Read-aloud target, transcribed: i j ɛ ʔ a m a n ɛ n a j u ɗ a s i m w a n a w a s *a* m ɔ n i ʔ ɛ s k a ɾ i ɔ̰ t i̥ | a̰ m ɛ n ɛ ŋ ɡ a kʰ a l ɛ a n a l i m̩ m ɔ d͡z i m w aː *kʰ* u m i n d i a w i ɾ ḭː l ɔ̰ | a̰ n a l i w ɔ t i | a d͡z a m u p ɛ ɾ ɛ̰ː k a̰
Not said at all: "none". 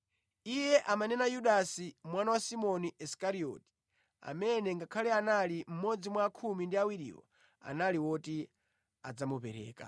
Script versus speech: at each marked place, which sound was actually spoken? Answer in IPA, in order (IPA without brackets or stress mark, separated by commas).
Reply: i, kʰ